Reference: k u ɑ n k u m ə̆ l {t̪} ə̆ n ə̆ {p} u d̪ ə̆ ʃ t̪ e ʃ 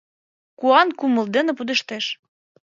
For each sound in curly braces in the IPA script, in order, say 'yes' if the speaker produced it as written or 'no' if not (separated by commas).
no, yes